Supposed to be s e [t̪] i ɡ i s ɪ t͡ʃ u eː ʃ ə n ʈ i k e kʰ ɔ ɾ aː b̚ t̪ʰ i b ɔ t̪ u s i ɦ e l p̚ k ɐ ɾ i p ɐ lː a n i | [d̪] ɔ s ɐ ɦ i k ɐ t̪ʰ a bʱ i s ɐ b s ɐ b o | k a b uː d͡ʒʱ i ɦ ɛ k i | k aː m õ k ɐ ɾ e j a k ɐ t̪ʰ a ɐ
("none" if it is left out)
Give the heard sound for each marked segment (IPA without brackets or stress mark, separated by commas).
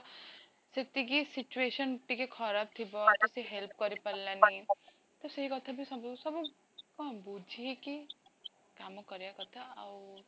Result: t̪, t̪